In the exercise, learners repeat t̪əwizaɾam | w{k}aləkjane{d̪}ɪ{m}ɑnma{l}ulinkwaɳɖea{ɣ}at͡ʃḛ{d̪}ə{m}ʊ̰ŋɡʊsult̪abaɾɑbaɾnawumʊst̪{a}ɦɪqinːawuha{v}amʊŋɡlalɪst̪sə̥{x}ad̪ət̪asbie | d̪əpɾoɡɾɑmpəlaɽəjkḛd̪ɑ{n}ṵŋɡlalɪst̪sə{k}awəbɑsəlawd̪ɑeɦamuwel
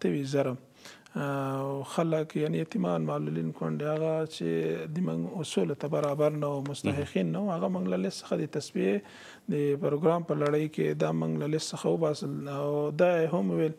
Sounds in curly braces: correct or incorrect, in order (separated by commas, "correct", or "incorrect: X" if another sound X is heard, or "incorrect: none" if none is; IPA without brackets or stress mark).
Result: incorrect: x, incorrect: t̪, correct, correct, correct, correct, correct, correct, incorrect: ɣ, correct, incorrect: m, incorrect: x